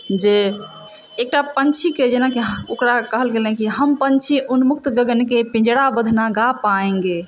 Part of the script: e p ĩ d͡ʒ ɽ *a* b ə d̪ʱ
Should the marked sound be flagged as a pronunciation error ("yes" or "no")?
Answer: no